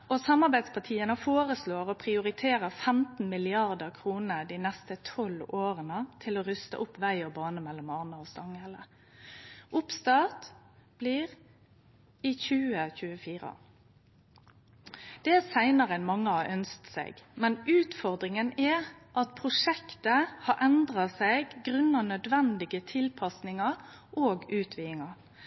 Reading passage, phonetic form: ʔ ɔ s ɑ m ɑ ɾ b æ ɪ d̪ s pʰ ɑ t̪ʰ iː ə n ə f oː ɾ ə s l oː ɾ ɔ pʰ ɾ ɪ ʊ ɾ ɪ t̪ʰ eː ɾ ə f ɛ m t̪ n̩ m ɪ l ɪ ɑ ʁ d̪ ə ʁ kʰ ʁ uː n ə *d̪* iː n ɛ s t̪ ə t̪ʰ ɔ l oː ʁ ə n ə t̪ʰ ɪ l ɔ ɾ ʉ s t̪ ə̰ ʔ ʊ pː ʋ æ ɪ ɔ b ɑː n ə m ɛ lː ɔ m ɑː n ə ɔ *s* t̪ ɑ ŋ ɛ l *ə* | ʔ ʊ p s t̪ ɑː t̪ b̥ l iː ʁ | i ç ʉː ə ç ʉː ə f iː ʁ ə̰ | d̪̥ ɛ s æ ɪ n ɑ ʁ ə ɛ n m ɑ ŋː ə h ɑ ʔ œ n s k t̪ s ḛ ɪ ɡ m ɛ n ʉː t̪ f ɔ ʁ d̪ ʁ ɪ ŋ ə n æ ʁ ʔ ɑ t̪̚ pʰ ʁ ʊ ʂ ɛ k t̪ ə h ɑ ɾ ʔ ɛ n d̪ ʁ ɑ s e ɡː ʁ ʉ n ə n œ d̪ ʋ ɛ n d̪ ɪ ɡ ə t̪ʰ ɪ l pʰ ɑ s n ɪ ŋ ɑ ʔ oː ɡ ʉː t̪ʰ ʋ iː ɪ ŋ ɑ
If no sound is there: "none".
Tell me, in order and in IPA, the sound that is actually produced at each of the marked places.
d̪, s, ə

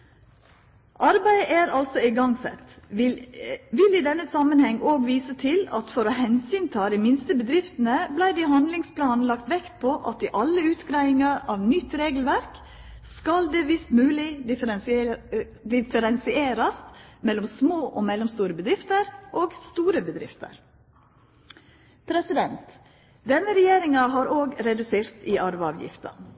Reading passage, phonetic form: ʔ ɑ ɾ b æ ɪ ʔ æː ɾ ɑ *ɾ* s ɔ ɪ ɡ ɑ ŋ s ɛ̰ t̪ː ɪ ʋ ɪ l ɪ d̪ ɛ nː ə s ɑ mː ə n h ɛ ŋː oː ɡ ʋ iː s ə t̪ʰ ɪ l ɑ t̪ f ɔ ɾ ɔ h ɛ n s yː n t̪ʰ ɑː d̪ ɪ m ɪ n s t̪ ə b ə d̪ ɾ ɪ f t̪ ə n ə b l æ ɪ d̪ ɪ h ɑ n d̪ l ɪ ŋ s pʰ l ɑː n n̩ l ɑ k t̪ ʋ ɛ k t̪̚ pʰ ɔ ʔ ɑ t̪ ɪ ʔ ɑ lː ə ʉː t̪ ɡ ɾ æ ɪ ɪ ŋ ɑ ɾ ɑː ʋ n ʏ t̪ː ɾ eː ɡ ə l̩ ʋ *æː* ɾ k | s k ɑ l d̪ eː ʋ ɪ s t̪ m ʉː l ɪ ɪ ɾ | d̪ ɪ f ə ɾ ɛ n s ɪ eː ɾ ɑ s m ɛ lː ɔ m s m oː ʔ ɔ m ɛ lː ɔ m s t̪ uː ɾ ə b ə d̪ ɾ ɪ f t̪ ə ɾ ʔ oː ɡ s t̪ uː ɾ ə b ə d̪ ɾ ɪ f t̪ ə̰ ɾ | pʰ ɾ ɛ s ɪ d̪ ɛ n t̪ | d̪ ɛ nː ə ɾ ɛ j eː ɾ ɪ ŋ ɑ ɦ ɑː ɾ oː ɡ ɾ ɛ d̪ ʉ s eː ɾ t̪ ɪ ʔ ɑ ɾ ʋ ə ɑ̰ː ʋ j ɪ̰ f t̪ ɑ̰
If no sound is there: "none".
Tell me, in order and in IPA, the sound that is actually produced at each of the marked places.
l, æ

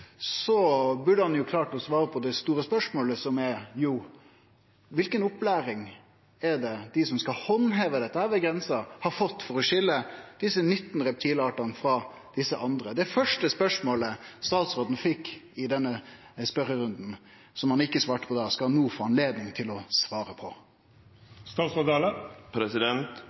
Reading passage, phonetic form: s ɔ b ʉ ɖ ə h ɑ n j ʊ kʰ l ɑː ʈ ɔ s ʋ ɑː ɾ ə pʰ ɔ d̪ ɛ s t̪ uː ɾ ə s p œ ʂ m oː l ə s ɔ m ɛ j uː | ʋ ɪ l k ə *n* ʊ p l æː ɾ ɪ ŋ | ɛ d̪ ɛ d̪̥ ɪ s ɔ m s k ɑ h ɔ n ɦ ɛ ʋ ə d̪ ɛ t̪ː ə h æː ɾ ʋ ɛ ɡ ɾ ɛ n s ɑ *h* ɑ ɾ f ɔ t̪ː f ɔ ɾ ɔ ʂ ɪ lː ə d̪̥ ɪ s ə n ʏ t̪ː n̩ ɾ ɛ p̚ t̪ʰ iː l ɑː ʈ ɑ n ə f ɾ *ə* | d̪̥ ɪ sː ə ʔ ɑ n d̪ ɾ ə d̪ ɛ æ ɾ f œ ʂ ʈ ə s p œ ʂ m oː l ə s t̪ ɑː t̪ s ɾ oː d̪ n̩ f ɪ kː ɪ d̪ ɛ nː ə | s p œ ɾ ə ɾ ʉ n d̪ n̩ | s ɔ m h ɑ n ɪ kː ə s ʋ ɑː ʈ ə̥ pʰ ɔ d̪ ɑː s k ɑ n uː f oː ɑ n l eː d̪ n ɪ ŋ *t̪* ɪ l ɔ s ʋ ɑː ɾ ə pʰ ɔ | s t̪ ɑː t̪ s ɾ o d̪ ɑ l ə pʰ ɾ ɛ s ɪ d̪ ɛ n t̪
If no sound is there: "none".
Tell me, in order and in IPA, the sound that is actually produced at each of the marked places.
n, h, ɑ, t̪ʰ

